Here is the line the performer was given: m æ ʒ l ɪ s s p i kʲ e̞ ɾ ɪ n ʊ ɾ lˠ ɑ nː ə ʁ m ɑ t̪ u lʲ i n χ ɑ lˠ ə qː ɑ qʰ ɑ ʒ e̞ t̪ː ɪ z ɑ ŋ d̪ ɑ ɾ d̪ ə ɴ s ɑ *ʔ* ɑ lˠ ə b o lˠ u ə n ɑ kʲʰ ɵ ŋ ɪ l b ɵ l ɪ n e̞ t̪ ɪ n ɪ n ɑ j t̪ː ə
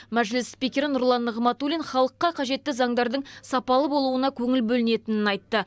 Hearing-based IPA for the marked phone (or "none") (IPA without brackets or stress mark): p